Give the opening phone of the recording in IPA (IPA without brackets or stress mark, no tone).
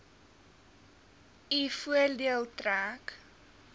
i